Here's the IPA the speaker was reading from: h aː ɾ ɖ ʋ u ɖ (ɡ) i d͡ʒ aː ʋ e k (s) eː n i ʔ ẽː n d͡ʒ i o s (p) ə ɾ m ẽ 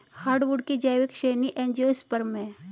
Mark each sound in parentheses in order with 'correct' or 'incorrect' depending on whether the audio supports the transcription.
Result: incorrect, incorrect, correct

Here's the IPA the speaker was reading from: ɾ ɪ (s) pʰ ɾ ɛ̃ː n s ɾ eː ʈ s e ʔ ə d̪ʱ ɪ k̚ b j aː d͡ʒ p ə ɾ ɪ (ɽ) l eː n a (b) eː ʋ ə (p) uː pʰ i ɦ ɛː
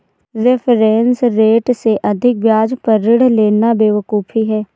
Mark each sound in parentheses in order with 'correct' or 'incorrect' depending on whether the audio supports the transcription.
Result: incorrect, correct, correct, incorrect

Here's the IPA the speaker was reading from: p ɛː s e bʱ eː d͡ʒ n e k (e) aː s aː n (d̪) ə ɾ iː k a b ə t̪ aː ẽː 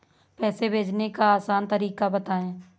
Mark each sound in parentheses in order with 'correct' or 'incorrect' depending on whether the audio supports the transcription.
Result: incorrect, incorrect

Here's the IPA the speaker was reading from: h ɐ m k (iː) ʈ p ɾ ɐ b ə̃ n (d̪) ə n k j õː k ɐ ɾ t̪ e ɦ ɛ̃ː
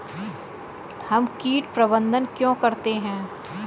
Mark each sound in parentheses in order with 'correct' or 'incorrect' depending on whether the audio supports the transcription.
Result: correct, correct

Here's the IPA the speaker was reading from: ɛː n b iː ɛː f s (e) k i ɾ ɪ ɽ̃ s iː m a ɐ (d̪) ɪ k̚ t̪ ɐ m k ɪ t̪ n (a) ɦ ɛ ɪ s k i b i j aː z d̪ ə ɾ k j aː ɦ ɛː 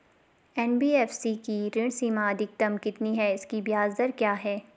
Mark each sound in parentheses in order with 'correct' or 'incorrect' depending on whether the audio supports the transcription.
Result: incorrect, correct, incorrect

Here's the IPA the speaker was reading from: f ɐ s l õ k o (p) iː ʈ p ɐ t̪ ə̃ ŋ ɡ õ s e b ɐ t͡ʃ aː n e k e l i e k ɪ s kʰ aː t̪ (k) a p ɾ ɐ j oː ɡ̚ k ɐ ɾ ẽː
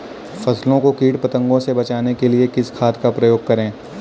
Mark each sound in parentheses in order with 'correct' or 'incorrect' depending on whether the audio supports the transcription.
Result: incorrect, correct

